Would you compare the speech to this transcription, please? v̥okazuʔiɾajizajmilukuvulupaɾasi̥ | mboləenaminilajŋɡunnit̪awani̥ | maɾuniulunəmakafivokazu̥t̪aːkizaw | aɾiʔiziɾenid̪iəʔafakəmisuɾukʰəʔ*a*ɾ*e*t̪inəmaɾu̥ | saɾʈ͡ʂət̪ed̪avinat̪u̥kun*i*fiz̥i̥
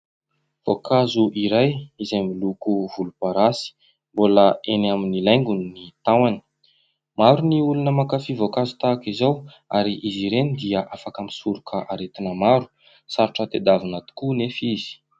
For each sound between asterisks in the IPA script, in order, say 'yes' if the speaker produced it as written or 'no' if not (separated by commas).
yes, yes, no